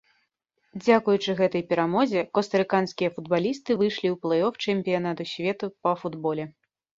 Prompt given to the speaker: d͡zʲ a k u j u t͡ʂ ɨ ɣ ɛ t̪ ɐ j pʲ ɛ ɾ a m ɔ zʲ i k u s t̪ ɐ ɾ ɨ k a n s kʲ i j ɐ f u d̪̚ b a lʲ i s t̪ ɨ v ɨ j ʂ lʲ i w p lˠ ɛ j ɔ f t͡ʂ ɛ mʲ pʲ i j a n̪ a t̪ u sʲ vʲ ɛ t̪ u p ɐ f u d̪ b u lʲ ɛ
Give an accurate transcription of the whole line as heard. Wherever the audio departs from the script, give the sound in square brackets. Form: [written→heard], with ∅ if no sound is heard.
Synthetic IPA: d͡zʲ a k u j u t͡ʂ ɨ ɣ ɛ t̪ ɐ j pʲ ɛ ɾ a m ɔ zʲ [i→ɛ] k [u→ɔ] s t̪ ɐ ɾ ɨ k a n s kʲ i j ɐ f u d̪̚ b a lʲ i s t̪ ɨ v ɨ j ʂ lʲ i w p lˠ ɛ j ɔ f t͡ʂ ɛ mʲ pʲ i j a n̪ a t̪ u sʲ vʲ ɛ t̪ u p ɐ f u d̪ b [u→ɔ] lʲ ɛ